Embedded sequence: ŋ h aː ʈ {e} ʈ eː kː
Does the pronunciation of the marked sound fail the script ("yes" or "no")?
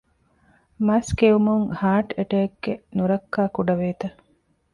no